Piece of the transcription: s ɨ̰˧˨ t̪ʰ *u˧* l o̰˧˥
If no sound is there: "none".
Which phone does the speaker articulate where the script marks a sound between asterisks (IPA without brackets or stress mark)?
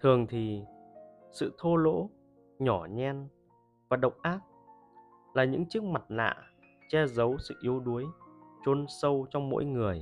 o˧